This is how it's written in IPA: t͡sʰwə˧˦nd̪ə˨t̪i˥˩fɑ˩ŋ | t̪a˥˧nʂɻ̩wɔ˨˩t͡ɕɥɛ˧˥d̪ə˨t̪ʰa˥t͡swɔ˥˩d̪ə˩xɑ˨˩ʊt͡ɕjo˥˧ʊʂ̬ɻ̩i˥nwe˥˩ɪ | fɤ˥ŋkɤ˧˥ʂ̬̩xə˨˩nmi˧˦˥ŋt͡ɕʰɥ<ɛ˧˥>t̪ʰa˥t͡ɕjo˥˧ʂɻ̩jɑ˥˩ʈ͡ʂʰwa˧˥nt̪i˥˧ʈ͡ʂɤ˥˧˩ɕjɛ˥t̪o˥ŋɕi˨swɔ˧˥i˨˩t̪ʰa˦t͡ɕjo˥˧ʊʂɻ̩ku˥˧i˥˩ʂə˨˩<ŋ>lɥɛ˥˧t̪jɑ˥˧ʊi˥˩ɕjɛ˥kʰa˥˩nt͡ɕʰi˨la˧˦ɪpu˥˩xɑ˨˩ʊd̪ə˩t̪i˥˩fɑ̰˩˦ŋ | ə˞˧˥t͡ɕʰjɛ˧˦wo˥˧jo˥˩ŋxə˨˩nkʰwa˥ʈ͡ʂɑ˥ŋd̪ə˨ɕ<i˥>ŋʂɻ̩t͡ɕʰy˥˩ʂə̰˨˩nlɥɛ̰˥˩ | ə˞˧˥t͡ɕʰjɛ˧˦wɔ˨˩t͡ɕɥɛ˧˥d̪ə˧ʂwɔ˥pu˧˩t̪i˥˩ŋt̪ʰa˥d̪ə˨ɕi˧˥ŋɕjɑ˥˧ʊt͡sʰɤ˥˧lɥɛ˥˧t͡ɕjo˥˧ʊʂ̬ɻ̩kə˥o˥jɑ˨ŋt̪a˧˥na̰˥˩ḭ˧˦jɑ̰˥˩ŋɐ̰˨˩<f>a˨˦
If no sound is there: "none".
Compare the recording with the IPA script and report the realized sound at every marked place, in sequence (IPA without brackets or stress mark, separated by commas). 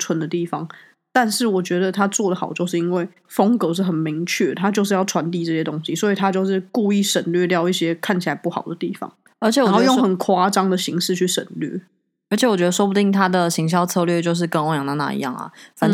ɛ˥˩, n, i˧˥, f